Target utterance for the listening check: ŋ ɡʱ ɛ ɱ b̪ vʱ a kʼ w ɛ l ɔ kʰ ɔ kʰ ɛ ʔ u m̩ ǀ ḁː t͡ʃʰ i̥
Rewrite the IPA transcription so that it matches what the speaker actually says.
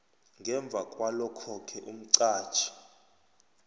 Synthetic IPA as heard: ŋ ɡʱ ɛ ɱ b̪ vʱ a kʼ w a l ɔ kʰ ɔ kʰ ɛ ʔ u m̩ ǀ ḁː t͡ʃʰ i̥